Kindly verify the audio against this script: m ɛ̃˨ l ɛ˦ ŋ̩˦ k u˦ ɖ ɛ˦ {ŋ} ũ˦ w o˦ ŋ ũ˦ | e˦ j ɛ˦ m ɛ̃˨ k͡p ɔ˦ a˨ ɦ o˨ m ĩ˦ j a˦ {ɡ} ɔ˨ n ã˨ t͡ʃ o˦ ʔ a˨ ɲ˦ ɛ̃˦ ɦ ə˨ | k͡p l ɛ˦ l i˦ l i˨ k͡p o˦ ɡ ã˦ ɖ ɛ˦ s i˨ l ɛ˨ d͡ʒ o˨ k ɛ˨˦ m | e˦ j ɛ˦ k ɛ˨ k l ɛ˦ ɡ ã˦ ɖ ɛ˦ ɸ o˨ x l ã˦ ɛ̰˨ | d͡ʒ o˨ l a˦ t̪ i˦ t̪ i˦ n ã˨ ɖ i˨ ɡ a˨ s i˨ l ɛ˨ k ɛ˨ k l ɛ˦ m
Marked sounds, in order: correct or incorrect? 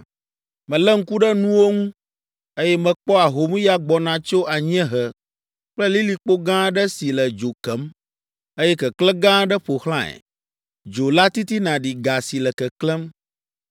incorrect: n, incorrect: ɡ͡b

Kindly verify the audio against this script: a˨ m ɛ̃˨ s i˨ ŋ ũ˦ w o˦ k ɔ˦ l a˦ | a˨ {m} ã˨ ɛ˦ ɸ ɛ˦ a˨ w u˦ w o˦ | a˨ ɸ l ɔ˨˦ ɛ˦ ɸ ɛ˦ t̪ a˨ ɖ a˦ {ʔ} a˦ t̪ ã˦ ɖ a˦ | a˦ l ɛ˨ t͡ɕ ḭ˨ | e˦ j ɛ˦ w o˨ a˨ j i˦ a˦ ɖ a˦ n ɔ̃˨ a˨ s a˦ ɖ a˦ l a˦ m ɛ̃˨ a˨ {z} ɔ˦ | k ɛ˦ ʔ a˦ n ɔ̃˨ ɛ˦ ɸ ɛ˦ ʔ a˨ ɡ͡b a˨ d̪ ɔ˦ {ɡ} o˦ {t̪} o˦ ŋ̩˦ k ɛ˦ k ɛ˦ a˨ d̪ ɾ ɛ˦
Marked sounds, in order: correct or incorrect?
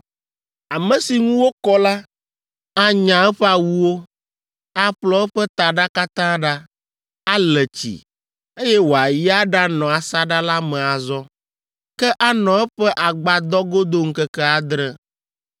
incorrect: ɲ, incorrect: k, correct, correct, incorrect: d̪

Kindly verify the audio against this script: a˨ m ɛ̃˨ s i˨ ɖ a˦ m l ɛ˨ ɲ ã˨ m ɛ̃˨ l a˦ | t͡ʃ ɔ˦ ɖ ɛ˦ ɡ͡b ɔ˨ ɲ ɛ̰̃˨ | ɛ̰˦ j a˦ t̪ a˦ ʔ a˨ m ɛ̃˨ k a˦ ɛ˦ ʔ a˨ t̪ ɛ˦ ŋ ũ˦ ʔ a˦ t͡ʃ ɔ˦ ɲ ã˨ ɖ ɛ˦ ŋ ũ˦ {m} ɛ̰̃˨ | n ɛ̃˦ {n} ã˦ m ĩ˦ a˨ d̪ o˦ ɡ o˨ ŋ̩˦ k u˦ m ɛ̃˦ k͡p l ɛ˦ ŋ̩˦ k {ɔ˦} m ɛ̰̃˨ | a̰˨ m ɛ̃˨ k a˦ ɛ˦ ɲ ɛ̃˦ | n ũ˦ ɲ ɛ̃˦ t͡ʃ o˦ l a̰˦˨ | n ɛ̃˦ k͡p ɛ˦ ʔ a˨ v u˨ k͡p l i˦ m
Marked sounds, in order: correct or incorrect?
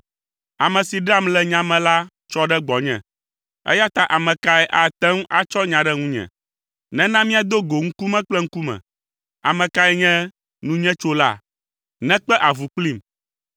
incorrect: ɲ, correct, incorrect: u˦

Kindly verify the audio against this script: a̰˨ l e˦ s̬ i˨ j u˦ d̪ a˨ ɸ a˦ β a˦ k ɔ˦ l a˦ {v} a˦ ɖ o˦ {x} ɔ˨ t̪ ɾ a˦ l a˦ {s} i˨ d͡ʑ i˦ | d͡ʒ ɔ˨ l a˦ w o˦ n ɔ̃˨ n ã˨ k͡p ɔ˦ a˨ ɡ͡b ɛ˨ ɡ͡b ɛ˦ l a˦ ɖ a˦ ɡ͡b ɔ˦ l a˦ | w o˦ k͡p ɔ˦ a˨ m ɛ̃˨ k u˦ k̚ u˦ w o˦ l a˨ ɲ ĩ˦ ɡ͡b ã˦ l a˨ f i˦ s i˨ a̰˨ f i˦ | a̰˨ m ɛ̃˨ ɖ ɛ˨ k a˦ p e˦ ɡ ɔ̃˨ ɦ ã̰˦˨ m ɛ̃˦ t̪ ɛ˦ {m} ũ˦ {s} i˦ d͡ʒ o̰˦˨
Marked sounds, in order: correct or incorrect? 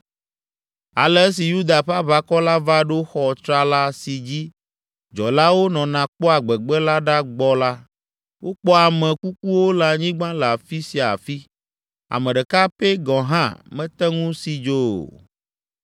correct, correct, correct, incorrect: ŋ, correct

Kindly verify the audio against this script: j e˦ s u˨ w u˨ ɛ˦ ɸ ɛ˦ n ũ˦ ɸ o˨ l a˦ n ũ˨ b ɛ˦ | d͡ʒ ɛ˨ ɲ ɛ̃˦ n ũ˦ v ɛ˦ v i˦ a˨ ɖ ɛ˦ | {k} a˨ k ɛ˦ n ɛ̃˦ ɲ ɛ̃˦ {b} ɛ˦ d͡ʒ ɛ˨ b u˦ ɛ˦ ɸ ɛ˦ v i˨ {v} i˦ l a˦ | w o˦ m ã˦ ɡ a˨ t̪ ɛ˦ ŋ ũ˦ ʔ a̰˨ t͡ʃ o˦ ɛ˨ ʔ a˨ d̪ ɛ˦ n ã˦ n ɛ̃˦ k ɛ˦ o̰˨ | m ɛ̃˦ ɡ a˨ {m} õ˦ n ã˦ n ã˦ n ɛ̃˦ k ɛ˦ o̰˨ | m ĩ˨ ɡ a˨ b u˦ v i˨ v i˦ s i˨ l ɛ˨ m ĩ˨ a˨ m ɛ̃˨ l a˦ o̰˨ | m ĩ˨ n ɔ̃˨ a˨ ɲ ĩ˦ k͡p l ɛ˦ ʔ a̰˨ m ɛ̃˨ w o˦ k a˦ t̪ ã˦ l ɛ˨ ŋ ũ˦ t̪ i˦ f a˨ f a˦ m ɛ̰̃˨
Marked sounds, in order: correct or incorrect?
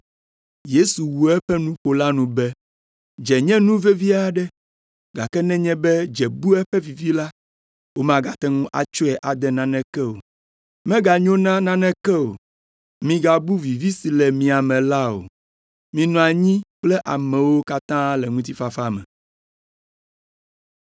incorrect: ɡ, correct, correct, incorrect: ɲ

